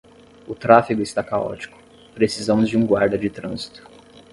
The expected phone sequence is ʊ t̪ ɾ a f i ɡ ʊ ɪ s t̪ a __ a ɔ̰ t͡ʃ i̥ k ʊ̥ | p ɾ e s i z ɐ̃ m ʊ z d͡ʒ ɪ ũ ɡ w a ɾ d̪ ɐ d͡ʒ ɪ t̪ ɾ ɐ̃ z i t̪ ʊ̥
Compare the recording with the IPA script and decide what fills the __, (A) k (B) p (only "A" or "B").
A